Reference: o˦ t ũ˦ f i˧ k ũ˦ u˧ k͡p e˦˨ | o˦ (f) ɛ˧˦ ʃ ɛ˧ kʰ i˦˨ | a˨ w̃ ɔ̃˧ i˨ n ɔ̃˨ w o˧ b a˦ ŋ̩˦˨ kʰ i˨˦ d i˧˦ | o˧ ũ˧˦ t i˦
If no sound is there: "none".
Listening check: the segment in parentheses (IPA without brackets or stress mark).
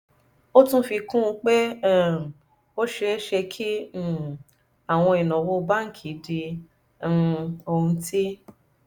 ʃ